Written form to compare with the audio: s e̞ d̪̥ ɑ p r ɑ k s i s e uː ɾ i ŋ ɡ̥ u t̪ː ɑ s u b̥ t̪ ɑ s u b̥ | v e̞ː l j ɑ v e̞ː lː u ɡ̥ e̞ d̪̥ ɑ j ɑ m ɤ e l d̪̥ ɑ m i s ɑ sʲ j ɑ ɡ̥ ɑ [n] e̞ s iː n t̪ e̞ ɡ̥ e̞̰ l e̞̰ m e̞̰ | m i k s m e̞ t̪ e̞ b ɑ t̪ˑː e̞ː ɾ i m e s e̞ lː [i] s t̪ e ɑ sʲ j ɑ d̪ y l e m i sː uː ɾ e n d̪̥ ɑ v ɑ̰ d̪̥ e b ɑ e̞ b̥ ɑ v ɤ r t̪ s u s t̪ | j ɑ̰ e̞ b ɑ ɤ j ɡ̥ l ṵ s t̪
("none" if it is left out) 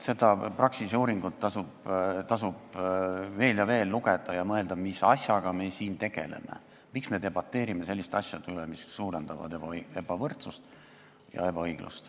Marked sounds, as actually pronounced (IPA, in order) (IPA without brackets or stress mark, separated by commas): m, i